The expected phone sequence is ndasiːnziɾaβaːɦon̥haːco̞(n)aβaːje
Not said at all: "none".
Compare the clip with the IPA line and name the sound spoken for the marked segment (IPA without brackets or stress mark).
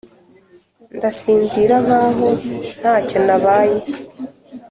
n